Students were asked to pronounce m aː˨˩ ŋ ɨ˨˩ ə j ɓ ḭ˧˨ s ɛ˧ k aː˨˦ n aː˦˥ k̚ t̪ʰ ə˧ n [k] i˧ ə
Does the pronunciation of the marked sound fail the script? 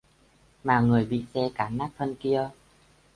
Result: no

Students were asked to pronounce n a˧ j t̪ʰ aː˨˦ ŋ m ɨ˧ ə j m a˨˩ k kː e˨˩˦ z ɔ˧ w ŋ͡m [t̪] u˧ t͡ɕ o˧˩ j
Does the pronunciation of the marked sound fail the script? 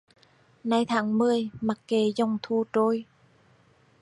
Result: yes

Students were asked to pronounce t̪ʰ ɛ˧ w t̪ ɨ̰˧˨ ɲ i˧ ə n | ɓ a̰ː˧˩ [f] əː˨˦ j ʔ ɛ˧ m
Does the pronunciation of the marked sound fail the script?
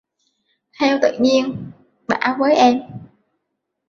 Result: yes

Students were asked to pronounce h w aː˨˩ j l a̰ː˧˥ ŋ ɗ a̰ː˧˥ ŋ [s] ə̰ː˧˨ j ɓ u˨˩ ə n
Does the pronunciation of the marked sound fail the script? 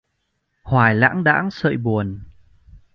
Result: no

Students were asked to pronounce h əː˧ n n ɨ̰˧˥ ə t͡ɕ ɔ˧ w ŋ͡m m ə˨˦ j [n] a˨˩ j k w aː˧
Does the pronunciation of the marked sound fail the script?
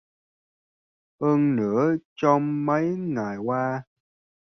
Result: yes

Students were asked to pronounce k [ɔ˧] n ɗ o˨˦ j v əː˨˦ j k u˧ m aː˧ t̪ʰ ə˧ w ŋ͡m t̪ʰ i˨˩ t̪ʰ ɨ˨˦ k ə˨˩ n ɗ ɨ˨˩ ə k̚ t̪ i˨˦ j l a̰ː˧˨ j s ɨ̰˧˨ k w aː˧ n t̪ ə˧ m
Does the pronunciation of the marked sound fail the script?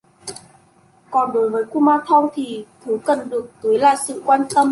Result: yes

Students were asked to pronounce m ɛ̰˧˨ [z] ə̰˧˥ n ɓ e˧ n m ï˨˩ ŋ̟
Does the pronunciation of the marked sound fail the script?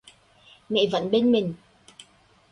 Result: yes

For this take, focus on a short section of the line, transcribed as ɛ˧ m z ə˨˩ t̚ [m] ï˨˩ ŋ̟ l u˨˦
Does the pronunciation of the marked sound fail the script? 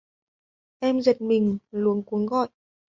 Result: no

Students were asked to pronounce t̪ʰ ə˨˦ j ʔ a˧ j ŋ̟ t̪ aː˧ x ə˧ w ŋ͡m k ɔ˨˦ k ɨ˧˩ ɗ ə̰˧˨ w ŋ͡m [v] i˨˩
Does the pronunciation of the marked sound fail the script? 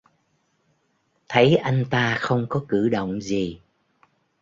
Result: yes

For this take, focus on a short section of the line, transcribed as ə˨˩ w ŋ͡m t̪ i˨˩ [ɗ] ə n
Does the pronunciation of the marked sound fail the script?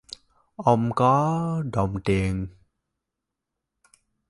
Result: yes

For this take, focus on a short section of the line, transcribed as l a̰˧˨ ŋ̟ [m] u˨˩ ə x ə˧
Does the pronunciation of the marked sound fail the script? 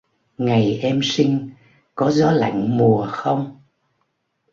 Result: no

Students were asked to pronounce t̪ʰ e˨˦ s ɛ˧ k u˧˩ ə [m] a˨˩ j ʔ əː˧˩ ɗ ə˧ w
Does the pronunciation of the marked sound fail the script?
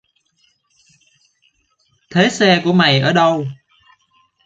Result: no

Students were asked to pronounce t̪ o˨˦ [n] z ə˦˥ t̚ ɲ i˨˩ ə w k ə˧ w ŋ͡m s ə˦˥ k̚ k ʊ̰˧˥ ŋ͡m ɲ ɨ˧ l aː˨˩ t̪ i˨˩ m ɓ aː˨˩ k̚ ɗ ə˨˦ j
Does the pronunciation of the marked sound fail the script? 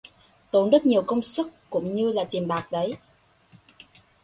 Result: no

